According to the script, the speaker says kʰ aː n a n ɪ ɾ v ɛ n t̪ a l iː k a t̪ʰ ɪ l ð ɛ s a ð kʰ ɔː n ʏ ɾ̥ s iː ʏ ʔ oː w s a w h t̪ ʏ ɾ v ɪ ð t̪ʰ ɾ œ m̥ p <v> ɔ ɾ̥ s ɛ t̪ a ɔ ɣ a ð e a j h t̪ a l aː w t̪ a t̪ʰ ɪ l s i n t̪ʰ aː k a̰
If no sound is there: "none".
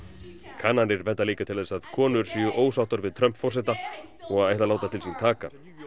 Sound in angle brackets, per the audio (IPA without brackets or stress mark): f